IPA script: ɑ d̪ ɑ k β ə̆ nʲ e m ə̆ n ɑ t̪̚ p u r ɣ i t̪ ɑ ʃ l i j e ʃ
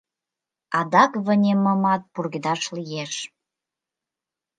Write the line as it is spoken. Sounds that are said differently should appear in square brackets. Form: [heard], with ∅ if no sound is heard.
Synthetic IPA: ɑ d̪ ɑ k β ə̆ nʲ e m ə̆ [m] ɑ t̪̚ p u r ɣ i [d̪] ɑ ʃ l i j e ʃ